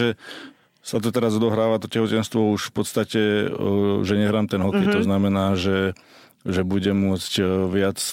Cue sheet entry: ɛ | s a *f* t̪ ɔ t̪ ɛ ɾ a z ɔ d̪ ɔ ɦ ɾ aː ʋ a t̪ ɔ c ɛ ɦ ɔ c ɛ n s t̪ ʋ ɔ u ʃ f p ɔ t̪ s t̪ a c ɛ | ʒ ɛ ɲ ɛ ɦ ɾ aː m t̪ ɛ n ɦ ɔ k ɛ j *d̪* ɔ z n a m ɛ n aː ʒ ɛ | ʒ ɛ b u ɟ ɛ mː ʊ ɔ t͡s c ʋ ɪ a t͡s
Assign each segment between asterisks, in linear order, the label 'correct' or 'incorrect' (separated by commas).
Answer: incorrect, incorrect